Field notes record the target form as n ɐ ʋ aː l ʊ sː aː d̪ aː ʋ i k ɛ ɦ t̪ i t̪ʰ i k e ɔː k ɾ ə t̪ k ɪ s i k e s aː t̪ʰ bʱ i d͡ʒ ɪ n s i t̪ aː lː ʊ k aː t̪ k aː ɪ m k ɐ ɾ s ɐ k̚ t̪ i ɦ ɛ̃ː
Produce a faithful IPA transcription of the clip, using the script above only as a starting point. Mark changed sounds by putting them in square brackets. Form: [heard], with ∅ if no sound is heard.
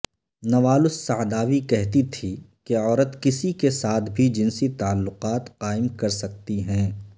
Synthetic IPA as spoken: n ɐ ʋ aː l ʊ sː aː d̪ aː ʋ i k ɛ ɦ t̪ i t̪ʰ i k e ɔː [∅] ɾ ə t̪ k ɪ s i k e s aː t̪ʰ bʱ i d͡ʒ ɪ n s i t̪ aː lː ʊ [q] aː t̪ [q] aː ɪ m k ɐ ɾ s ɐ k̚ t̪ i ɦ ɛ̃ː